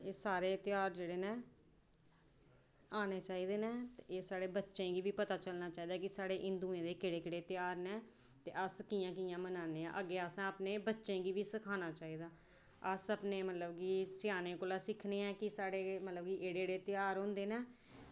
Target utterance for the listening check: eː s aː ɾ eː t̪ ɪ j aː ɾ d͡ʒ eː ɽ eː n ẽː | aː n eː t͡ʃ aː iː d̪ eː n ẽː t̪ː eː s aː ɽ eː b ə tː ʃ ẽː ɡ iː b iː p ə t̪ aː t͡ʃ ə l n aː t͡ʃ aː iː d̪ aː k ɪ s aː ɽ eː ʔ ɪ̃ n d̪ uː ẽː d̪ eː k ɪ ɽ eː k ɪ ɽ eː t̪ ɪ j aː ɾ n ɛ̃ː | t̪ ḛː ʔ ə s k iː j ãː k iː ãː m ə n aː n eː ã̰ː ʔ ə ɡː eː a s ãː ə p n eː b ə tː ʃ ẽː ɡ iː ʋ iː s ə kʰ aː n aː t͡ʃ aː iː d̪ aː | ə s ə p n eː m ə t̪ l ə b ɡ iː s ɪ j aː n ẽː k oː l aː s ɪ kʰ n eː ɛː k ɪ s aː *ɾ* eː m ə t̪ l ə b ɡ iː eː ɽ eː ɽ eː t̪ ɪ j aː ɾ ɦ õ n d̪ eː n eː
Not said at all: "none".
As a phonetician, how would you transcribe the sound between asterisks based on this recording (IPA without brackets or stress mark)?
ɽ